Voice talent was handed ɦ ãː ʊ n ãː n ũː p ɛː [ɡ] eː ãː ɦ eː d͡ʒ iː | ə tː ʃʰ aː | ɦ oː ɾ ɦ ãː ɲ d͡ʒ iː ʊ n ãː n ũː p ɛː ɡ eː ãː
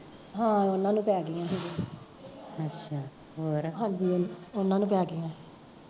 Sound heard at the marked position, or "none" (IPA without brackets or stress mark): ɡ